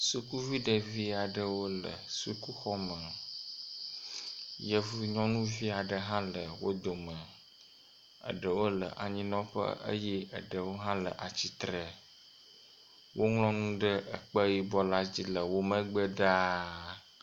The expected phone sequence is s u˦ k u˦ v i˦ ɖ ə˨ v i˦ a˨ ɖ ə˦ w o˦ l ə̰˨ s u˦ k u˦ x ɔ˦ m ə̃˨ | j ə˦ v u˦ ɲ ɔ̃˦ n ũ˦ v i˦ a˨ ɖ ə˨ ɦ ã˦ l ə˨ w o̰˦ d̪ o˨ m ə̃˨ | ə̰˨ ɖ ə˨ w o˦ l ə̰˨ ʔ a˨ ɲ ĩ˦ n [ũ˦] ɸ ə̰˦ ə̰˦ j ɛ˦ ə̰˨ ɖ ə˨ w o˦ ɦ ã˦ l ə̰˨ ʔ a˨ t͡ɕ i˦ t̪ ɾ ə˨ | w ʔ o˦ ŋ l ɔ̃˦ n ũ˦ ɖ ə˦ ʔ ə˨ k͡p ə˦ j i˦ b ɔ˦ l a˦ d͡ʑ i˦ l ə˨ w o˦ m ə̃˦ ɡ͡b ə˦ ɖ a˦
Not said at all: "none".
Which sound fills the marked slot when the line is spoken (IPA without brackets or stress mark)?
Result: ɔ̃˦